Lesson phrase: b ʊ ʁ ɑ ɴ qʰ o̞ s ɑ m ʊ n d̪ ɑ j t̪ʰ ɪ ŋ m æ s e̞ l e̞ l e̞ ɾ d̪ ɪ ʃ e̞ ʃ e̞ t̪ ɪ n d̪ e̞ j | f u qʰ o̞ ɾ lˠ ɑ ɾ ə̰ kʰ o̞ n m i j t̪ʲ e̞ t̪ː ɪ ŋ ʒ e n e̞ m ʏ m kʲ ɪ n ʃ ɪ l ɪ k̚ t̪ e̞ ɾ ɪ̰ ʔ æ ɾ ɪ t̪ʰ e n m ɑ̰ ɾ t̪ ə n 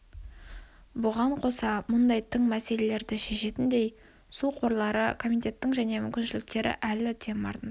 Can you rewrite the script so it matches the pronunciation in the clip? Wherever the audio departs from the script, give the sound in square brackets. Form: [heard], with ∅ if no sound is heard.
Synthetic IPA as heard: b ʊ ʁ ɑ ɴ qʰ o̞ s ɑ m ʊ n d̪ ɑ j t̪ʰ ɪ ŋ m æ s e̞ l e̞ l e̞ ɾ d̪ ɪ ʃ e̞ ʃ e̞ t̪ ɪ n d̪ e̞ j | [s] u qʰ o̞ ɾ lˠ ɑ ɾ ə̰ kʰ o̞ [∅] m i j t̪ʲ e̞ t̪ː ɪ ŋ ʒ [æ] n e̞ m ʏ m kʲ ɪ n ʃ ɪ l ɪ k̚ t̪ e̞ ɾ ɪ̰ ʔ æ [l] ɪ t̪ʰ e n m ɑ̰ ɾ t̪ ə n

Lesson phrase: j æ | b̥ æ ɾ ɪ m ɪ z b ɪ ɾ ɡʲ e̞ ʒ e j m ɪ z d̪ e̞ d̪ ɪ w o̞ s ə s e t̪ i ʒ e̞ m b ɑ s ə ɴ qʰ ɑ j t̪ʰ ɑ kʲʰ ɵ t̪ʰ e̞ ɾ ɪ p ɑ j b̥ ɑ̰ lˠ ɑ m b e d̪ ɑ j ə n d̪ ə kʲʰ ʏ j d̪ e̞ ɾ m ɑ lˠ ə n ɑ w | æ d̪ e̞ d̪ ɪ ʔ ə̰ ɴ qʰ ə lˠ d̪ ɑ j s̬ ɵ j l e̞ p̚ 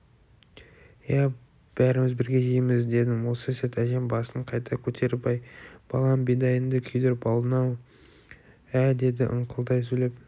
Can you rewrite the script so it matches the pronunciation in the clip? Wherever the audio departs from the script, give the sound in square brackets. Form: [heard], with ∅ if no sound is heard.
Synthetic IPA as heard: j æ | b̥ æ ɾ ɪ m ɪ z b ɪ ɾ ɡʲ e̞ ʒ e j m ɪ z d̪ e̞ d̪ ɪ w o̞ s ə s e t̪ [æ] ʒ e̞ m b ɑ s ə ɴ qʰ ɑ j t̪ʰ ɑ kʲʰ ɵ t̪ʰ e̞ ɾ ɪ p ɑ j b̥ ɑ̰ lˠ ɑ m b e d̪ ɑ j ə n d̪ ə kʲʰ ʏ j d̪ e̞ ɾ [b] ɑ lˠ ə n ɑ w | æ d̪ e̞ d̪ ɪ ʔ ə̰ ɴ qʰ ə lˠ d̪ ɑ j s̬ ɵ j l e̞ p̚

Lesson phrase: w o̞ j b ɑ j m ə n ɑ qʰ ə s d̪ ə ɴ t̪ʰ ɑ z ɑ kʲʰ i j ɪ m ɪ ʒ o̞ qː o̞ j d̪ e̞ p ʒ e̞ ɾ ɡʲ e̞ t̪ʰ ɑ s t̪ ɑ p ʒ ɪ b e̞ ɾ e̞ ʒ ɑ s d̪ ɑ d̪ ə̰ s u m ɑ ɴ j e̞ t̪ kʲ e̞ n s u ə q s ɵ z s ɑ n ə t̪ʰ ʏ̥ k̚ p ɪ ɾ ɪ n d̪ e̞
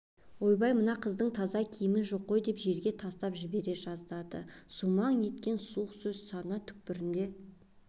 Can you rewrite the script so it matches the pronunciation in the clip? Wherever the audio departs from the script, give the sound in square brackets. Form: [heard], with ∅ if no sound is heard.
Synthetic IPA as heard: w o̞ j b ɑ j m ə n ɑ qʰ ə [z] d̪ ə ɴ t̪ʰ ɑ z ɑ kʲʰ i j ɪ m ɪ ʒ o̞ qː o̞ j d̪ e̞ p ʒ e̞ ɾ ɡʲ e̞ t̪ʰ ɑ s t̪ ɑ p ʒ ɪ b e̞ ɾ e̞ ʒ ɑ [z] d̪ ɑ d̪ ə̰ s u m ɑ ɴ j e̞ t̪ kʲ e̞ n s u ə q s ɵ z s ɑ n ə t̪ʰ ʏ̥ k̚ p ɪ ɾ ɪ n d̪ e̞

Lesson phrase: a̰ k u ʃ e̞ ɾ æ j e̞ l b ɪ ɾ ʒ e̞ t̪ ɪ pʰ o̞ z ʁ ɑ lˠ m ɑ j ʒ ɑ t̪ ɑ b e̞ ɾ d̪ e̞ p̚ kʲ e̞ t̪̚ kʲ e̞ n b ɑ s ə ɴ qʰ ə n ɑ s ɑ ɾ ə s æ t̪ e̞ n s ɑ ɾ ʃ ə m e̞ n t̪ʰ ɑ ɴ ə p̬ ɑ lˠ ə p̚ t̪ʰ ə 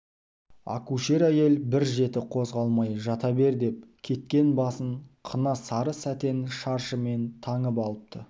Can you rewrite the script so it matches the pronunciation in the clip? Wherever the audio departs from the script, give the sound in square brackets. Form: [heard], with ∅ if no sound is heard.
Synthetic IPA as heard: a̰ k u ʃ e̞ ɾ æ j e̞ l b ɪ ɾ ʒ e̞ t̪ ɪ [qʰ] o̞ z ʁ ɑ lˠ m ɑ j ʒ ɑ t̪ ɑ b e̞ ɾ d̪ e̞ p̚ [kʲʰ] e̞ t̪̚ kʲ e̞ n b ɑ s ə ɴ qʰ ə n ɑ s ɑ ɾ ə s æ t̪ e̞ n [ʃ] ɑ ɾ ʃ ə m e̞ n t̪ʰ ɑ ɴ ə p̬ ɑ lˠ ə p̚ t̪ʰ ə

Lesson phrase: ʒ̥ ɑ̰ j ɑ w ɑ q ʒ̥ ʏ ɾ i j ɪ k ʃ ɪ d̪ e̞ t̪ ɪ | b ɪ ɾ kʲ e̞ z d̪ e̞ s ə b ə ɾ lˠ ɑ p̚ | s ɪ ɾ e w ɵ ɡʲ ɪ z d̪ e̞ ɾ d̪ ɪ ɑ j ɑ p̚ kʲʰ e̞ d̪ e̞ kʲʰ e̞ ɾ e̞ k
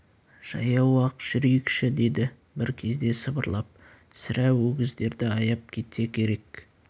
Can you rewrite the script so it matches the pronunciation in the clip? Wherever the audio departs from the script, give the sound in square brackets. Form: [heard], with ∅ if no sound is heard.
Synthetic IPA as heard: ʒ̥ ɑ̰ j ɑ w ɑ q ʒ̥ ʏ ɾ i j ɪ k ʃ ɪ d̪ e̞ [d̪] ɪ | b ɪ ɾ [kʲʰ] e̞ z d̪ e̞ s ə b ə ɾ lˠ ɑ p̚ | s ɪ ɾ [æ] w ɵ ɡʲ ɪ z d̪ e̞ ɾ d̪ ɪ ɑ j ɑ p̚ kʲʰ e̞ [t̪] e̞ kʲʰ e̞ ɾ e̞ k

